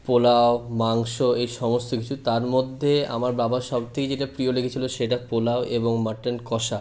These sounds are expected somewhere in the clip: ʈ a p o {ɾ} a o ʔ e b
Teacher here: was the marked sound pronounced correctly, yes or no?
no